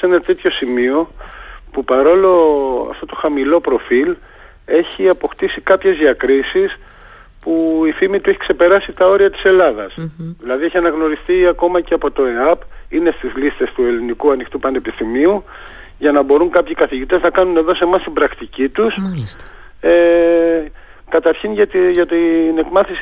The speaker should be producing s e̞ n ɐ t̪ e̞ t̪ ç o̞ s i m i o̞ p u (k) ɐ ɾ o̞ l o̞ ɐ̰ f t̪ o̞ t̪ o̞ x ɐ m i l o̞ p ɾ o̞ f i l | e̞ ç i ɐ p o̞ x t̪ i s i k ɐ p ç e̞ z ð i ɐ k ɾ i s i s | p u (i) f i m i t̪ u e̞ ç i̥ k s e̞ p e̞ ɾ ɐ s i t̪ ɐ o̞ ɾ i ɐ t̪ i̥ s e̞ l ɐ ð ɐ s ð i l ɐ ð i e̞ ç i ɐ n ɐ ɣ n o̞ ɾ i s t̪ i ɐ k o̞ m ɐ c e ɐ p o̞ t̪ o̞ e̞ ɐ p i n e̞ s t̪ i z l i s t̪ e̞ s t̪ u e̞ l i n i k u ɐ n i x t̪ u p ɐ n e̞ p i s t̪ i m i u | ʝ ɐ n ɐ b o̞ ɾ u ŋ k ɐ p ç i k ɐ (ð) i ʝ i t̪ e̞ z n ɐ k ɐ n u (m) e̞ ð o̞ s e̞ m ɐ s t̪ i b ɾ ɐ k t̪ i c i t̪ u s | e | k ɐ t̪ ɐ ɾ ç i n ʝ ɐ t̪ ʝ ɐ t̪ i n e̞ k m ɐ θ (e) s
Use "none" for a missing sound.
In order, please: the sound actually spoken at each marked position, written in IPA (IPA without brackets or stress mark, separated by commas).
p, i, θ, n, i